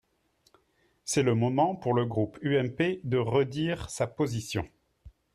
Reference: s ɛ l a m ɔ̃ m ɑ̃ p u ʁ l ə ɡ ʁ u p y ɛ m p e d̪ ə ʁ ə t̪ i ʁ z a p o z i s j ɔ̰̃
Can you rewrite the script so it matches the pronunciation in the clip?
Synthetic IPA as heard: s ɛ l ə m ɔ m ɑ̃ p u ʁ l ə ɡ ʁ u p y ɛ m p e d̪ ə ʁ ə d̪ i ʁ s a p o z i s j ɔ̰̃